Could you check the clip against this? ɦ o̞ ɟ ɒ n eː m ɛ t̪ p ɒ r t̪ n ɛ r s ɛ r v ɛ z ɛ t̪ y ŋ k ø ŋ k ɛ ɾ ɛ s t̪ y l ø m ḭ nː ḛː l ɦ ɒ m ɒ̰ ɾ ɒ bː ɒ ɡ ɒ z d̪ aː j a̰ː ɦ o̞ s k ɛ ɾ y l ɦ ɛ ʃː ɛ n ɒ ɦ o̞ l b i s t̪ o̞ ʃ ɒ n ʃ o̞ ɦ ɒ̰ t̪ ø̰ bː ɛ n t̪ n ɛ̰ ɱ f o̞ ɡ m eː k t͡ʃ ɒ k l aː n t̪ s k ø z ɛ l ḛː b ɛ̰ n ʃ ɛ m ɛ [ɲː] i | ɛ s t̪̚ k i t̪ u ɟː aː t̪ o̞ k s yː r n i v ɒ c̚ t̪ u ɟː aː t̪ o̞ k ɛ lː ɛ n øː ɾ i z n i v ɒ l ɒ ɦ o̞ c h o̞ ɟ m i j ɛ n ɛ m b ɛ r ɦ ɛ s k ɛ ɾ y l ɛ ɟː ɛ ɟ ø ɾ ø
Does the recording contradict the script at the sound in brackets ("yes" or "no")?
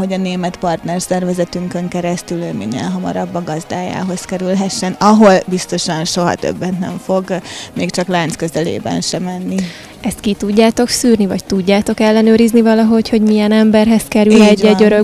yes